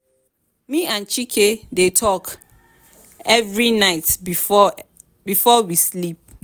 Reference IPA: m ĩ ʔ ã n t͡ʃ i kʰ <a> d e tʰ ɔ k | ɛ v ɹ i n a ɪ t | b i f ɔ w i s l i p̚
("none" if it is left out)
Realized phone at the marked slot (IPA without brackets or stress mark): e